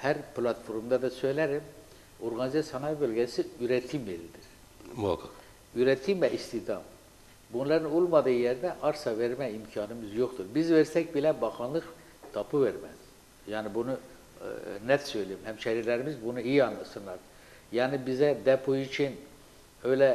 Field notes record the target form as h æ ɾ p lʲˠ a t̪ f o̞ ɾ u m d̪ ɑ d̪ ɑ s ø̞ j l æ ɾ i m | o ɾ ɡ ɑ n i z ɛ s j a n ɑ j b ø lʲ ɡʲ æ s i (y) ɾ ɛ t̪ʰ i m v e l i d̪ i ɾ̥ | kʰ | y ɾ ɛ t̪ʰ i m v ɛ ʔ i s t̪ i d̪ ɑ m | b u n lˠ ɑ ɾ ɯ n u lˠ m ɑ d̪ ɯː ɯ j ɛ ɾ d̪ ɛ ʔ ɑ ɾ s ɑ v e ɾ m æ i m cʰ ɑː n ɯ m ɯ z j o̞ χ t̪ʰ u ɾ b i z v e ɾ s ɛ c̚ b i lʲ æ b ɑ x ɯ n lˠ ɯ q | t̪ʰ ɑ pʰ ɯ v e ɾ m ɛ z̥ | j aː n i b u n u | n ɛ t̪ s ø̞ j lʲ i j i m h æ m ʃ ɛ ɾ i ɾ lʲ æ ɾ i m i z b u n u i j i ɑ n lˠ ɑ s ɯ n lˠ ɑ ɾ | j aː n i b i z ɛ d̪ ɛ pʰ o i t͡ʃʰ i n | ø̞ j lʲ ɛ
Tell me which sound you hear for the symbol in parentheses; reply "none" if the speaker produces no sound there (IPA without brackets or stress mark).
y